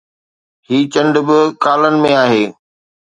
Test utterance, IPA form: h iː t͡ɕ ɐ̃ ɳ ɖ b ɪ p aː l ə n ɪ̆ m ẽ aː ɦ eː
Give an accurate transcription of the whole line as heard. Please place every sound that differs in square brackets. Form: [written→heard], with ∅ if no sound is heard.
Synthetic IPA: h iː t͡ɕ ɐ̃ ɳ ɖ b ɪ [p→k] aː l ə n ɪ̆ m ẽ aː ɦ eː